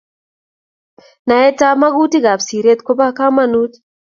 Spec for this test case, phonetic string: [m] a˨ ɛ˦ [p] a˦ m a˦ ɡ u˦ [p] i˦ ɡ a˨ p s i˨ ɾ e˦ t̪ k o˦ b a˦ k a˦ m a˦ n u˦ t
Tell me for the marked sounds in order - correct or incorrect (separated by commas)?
incorrect, incorrect, incorrect